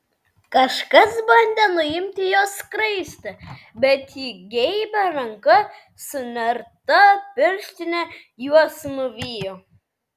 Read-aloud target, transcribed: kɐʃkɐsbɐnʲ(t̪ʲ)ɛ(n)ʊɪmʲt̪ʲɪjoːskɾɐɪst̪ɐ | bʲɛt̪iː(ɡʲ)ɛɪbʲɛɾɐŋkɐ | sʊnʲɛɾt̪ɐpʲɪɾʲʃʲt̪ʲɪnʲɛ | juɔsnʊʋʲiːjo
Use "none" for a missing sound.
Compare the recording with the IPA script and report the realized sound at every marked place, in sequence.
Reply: d̪ʲ, n, ɡʲ

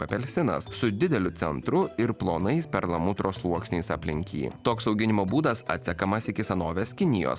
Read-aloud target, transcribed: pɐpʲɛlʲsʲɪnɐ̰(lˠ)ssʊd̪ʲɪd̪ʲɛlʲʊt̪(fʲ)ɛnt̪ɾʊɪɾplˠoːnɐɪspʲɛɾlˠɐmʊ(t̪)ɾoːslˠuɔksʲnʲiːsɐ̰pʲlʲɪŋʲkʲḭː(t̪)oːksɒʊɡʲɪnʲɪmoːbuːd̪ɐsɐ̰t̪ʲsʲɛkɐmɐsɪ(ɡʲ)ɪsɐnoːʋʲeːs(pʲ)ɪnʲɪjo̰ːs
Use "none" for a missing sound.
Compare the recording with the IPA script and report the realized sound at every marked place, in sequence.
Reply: none, sʲ, t̪, t̪, kʲ, kʲ

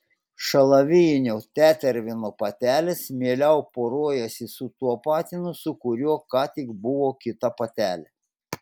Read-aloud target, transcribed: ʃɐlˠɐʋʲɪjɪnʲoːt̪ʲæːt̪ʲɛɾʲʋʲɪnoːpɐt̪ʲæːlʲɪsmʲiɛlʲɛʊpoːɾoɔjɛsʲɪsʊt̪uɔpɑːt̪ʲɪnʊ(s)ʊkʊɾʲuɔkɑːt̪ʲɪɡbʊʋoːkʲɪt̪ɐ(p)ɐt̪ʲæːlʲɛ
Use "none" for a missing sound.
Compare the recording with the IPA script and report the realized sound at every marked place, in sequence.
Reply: s, p

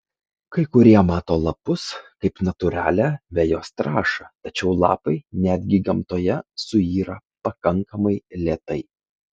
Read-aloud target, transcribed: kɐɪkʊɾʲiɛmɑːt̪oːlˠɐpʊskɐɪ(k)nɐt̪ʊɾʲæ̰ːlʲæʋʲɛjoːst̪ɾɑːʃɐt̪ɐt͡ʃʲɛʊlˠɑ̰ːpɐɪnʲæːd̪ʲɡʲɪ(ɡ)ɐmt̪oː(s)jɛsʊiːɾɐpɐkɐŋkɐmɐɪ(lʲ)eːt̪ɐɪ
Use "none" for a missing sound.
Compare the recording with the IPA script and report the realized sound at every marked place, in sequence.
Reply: p, ɡ, none, lʲ

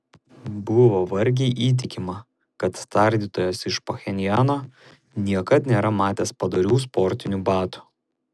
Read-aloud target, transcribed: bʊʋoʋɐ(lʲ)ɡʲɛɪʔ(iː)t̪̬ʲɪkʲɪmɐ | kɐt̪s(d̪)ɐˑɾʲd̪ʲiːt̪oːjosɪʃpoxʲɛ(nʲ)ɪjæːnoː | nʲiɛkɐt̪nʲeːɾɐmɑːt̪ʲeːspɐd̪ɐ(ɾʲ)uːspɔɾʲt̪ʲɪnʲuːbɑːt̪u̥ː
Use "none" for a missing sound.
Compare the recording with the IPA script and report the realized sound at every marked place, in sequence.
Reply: ɾʲ, iː, t̪, nʲ, ɾʲ

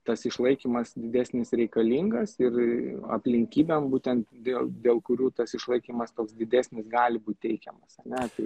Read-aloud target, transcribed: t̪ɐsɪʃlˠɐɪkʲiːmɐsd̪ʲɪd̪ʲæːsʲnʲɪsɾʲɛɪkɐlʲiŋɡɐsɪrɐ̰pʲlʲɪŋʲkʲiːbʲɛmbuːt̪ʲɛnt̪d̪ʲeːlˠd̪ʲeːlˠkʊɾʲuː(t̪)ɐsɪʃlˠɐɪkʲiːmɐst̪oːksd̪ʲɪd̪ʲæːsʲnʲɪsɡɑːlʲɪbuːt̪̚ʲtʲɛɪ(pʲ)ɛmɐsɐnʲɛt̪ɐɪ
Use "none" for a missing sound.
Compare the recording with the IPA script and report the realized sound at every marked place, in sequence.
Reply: t̪, kʲ

